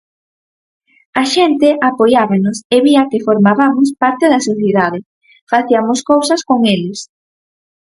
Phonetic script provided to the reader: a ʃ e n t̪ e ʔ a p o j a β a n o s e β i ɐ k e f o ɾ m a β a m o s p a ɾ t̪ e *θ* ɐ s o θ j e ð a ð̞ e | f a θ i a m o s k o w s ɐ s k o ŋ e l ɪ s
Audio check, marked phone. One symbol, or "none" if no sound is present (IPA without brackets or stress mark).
ð